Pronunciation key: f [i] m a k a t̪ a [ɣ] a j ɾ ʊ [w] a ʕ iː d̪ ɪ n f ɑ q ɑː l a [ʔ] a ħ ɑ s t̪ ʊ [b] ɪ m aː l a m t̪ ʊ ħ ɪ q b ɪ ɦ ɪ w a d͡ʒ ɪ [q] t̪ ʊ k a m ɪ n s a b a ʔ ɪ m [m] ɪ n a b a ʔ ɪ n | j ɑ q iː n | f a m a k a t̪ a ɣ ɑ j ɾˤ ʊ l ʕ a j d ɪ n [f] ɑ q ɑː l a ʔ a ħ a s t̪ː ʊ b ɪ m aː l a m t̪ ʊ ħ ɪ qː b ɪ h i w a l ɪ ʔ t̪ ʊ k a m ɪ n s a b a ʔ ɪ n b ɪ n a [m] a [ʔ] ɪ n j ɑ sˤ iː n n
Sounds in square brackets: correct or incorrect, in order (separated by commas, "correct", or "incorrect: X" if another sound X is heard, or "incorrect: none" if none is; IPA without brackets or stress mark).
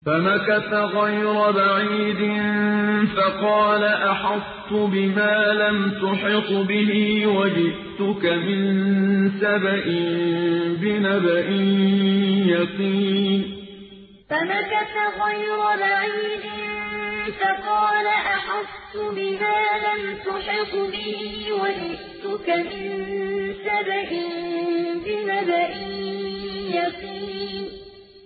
incorrect: a, correct, incorrect: b, correct, correct, incorrect: ʔ, incorrect: b, correct, incorrect: b, correct